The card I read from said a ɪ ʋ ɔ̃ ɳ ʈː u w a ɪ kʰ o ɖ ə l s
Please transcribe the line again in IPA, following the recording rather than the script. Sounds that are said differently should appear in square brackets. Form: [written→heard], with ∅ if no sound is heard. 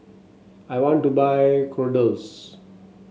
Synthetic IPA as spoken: a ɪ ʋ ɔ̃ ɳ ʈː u [w→b] a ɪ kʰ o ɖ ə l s